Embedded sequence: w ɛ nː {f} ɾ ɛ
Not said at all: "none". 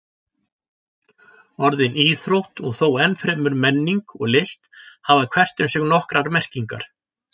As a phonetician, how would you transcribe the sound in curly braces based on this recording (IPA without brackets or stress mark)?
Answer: f